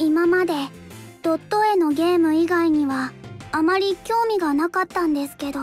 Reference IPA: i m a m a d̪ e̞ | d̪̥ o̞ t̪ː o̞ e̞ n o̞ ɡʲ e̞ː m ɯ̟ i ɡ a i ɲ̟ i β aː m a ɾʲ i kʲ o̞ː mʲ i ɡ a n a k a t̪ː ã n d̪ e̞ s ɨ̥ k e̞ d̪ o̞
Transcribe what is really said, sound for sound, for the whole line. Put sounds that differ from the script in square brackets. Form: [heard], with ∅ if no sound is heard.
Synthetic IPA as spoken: i m a m a d̪ e̞ | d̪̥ o̞ t̪ː o̞ e̞ n o̞ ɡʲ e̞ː m ɯ̟ i ɡ a i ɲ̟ i β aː m a ɾʲ i kʲ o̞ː mʲ i ɡ a n a k a t̪ː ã n d̪ e̞ s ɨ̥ k e̞ d̪ o̞